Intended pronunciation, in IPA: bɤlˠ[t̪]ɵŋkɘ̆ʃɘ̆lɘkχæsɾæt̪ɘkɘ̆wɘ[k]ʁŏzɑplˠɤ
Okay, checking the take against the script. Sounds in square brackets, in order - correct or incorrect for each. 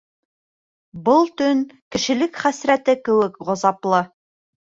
correct, correct

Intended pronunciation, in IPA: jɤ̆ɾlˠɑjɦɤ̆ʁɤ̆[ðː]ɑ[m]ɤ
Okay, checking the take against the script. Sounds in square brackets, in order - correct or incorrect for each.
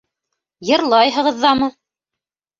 correct, correct

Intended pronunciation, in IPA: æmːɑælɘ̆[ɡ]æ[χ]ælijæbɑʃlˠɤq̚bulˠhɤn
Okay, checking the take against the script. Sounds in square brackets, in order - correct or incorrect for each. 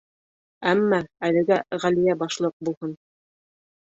correct, incorrect: ʁ

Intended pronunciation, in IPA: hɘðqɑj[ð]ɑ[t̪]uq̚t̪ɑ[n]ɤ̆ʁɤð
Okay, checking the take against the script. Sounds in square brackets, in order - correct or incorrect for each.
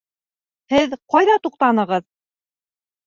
correct, correct, correct

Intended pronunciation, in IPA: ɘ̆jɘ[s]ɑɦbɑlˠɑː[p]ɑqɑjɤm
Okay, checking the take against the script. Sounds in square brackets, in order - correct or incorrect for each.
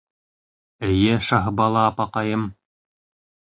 incorrect: ʃ, correct

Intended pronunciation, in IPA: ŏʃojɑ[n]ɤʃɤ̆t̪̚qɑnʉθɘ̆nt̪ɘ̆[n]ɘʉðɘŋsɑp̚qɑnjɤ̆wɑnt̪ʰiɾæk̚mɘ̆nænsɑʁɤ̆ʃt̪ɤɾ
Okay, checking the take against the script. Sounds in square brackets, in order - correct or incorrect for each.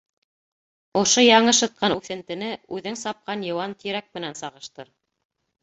incorrect: ɴ, correct

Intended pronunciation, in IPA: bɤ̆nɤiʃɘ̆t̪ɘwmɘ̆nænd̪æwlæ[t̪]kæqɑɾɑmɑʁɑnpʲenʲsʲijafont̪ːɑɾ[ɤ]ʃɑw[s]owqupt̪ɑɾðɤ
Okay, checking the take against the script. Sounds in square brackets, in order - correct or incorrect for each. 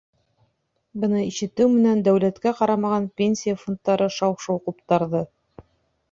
correct, correct, incorrect: ʃ

